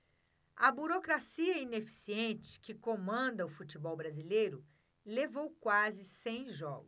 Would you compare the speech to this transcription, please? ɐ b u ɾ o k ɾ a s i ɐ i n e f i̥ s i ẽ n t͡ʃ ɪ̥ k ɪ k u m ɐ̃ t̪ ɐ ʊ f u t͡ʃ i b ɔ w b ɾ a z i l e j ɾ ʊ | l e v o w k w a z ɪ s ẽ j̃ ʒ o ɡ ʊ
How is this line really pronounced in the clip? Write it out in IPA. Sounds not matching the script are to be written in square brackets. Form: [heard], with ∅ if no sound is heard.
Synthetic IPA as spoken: ɐ b u ɾ o k ɾ a s i ɐ i n e f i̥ s i ẽ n t͡ʃ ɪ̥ k ɪ k [o] m ɐ̃ [d̪] ɐ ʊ f u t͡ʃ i b ɔ w b ɾ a z i l e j ɾ ʊ | l e v o w k w a z ɪ s ẽ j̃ ʒ [ɔ] ɡ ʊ

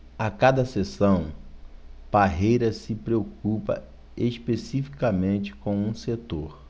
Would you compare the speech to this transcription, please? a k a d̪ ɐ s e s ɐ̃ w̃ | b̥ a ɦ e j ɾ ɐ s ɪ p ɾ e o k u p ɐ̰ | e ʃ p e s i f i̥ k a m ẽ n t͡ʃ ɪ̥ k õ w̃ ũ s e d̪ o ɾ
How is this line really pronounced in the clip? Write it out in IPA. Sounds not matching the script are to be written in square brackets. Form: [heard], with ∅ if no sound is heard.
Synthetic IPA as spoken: a k a d̪ ɐ s e s ɐ̃ w̃ | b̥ a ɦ e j ɾ ɐ s ɪ p ɾ e o k u p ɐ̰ | e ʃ p e s i f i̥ k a m ẽ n t͡ʃ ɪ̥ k õ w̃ ũ s e [t̪] o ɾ

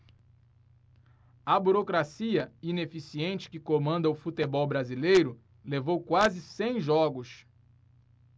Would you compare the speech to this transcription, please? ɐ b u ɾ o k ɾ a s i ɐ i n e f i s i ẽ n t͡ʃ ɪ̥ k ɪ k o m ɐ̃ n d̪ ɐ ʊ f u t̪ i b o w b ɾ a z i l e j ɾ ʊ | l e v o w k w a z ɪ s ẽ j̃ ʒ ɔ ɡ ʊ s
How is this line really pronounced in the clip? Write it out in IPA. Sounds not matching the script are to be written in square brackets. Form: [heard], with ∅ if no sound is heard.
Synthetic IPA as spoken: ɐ b u ɾ o k ɾ a s i ɐ i n e f i s i ẽ n t͡ʃ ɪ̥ k ɪ k o m ɐ̃ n d̪ ɐ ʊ f u t̪ [e] b [ɔ] w b ɾ a z i l e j ɾ ʊ | l e v o w k w a z ɪ s ẽ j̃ ʒ ɔ ɡ ʊ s

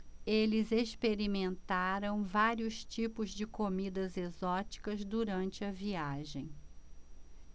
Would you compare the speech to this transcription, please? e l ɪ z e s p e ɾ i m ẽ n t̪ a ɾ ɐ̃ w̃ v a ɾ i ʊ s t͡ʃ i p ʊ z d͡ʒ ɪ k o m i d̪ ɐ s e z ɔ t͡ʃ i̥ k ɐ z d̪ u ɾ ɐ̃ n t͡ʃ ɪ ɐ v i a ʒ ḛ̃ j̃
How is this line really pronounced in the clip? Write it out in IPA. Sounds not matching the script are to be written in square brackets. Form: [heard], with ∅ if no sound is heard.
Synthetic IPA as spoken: e l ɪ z e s p e ɾ i m ẽ n t̪ a ɾ ɐ̃ w̃ v a ɾ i ʊ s t͡ʃ i p ʊ z d͡ʒ ɪ k o m i d̪ ɐ [z] e z ɔ t͡ʃ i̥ k ɐ z d̪ u ɾ ɐ̃ n t͡ʃ ɪ ɐ v i a ʒ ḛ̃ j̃

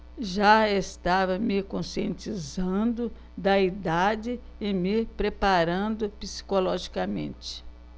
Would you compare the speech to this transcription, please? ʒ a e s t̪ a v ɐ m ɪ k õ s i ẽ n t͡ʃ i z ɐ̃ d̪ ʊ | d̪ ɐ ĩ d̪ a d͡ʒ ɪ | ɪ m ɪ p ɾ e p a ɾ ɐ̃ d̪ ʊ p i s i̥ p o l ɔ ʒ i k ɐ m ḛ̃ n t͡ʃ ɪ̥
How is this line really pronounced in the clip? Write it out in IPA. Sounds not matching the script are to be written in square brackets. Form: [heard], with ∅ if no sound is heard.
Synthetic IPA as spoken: ʒ a e s t̪ a v ɐ m ɪ k õ s i ẽ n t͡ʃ i z ɐ̃ d̪ ʊ | d̪ ɐ [i] d̪ a d͡ʒ ɪ | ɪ m ɪ p ɾ e p a ɾ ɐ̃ d̪ ʊ p i s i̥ [k] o l ɔ ʒ i k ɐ m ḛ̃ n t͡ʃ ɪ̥

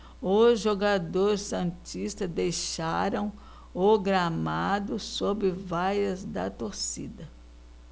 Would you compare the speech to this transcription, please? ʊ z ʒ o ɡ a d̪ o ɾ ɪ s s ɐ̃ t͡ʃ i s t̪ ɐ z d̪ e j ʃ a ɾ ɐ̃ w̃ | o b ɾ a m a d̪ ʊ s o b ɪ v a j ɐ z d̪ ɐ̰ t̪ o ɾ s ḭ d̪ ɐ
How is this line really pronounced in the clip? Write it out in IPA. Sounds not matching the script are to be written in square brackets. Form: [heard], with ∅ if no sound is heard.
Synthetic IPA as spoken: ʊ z ʒ o ɡ a d̪ o ɾ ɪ s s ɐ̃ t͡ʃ i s t̪ ɐ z d̪ e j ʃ a ɾ ɐ̃ w̃ | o [ɡ] ɾ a m a d̪ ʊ s o b ɪ v a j ɐ z d̪ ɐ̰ t̪ o ɾ s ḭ d̪ ɐ

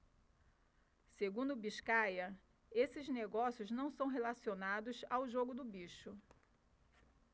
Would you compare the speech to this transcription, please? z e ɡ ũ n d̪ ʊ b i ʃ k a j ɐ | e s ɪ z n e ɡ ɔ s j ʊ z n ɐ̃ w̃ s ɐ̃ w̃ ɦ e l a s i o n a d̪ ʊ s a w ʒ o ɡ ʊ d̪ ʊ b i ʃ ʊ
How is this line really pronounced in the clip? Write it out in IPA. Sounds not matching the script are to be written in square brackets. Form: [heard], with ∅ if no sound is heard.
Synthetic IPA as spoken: [s] e ɡ ũ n d̪ ʊ b i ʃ k a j ɐ | e s ɪ z n e ɡ ɔ s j ʊ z n ɐ̃ w̃ s ɐ̃ w̃ ɦ e l a s i o n a d̪ ʊ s a w ʒ o ɡ ʊ d̪ ʊ b i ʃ ʊ

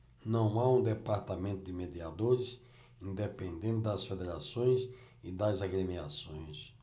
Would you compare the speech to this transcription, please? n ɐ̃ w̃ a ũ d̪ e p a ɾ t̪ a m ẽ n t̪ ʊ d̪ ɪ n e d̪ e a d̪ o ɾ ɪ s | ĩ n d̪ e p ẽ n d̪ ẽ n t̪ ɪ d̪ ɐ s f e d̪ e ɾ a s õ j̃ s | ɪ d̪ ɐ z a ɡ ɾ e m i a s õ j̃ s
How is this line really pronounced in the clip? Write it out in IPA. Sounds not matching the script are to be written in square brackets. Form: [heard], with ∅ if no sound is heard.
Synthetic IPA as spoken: n ɐ̃ w̃ a ũ d̪ e p a ɾ t̪ a m ẽ n t̪ ʊ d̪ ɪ [m] e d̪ [i] a d̪ o ɾ ɪ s | ĩ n d̪ e p ẽ n d̪ ẽ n t̪ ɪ d̪ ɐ s f e d̪ e ɾ a s õ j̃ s | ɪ d̪ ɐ z a ɡ ɾ e m i a s õ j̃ s

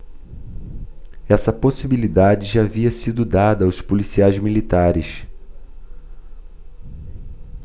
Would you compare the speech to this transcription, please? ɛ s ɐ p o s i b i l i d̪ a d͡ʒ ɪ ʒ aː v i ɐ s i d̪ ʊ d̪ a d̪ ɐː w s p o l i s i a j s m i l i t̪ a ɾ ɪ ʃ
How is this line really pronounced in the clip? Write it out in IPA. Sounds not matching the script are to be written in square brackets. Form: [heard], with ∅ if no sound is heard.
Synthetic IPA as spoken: ɛ s ɐ p o s i b i l i d̪ a d͡ʒ ɪ ʒ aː v i ɐ s i d̪ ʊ d̪ a d̪ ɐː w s p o l i s i a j [z] m i l i t̪ a ɾ ɪ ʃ

